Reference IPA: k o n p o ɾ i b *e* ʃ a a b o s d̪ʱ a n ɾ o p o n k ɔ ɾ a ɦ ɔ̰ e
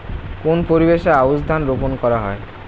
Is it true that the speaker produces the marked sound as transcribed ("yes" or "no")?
yes